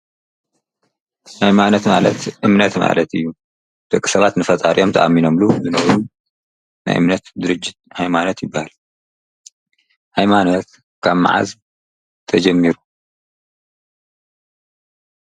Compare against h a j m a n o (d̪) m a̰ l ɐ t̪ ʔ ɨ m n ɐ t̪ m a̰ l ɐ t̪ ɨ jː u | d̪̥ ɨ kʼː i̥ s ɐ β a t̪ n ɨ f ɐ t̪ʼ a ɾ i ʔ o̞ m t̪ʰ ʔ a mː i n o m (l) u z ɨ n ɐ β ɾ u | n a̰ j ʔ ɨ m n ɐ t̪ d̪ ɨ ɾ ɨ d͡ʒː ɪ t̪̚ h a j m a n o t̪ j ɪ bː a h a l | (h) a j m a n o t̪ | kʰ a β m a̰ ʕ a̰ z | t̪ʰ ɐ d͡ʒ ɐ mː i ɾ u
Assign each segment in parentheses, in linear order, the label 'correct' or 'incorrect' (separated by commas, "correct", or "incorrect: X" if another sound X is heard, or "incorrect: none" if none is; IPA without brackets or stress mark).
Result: incorrect: t̪, correct, correct